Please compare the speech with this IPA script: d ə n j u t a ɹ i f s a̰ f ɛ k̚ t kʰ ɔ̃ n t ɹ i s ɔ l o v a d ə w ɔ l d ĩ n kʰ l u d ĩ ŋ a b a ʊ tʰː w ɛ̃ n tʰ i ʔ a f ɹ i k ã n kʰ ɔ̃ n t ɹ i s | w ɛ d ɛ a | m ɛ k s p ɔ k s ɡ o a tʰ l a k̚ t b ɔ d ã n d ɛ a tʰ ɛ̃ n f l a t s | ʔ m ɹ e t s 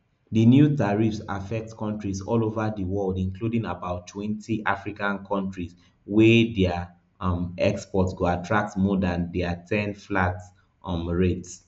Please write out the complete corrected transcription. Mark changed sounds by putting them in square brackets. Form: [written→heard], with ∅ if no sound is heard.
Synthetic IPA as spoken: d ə n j u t a ɹ i f s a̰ f ɛ k̚ t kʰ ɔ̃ n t ɹ i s ɔ l o v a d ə w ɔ l d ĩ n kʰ l u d ĩ ŋ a b a ʊ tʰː w ɛ̃ n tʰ i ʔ a f ɹ i k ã n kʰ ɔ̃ n t ɹ i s | w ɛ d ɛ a | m ɛ k s p ɔ [k→t] s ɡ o a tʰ [l→ɹ] a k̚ t [b→m] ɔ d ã n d ɛ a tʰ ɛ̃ n f l a t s | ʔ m ɹ e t s